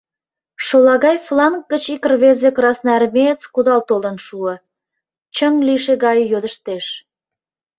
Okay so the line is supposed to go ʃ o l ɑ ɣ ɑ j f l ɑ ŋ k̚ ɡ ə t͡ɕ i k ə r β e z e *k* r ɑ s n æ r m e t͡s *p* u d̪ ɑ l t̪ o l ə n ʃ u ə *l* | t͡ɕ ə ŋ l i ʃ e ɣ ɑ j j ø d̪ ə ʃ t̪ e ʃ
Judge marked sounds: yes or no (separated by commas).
yes, no, no